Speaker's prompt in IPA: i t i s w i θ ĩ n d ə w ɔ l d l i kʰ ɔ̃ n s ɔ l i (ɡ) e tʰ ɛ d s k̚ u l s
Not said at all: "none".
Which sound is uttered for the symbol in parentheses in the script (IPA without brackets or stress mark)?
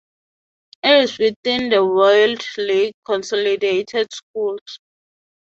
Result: d